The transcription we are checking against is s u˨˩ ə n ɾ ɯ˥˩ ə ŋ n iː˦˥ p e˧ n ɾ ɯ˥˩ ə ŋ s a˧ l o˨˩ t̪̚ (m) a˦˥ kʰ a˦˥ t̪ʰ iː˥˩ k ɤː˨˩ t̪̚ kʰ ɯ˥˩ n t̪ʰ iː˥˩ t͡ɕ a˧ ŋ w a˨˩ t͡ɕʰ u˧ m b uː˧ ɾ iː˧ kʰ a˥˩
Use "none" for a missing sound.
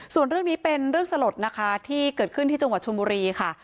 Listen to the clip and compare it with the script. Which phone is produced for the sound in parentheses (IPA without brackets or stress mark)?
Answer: n